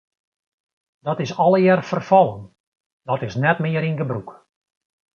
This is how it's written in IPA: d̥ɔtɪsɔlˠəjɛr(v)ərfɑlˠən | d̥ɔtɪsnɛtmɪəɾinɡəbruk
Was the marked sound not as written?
yes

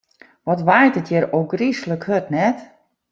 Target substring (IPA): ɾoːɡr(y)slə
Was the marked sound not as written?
yes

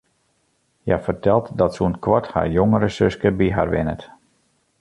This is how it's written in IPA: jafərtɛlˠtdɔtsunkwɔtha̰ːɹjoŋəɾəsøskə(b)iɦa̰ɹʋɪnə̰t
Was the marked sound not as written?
no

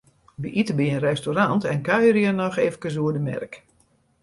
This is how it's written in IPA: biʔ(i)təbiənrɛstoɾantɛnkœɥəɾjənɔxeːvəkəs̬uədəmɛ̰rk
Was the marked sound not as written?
no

